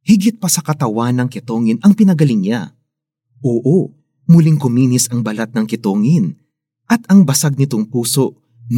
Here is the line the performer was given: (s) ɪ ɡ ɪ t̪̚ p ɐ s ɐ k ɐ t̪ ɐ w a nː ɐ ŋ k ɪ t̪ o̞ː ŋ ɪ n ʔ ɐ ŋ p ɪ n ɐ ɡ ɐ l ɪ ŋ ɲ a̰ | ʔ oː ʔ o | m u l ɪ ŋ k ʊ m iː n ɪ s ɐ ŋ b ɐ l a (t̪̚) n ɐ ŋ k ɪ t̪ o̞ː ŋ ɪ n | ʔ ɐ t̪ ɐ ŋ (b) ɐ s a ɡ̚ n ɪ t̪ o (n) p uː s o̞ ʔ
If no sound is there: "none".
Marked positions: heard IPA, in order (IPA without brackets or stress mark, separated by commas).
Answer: h, t̪̚, b, ŋ